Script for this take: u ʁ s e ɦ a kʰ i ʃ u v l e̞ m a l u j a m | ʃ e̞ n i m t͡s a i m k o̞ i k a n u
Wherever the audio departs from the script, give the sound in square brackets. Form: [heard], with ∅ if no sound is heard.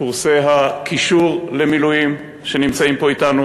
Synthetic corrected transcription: u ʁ s e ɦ a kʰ i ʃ u [ʁ] l e̞ m [i] l u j [i] m | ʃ e̞ n i m t͡s a i m [p] o̞ i [t] a n u